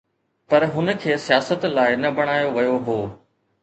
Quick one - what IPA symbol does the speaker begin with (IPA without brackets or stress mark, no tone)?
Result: p